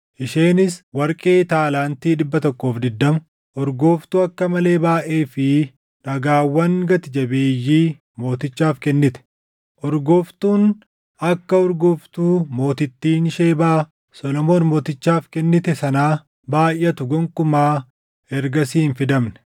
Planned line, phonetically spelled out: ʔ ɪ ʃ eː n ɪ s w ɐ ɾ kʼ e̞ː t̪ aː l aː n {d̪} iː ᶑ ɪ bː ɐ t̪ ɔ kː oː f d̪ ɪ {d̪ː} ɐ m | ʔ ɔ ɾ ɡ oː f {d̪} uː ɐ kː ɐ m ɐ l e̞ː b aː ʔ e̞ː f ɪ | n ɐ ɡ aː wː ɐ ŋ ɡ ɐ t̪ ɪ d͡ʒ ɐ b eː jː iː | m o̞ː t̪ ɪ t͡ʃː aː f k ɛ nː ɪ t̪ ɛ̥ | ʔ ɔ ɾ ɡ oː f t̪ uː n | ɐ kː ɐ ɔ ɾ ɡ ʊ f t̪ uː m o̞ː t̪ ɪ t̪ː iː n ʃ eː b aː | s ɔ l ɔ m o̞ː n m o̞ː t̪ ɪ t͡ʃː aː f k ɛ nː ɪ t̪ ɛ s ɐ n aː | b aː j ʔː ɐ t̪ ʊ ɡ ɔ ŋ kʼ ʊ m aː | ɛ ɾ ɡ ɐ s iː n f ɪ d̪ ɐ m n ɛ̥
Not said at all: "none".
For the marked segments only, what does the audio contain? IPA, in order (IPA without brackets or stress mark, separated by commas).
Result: t̪, d̪ː, t̪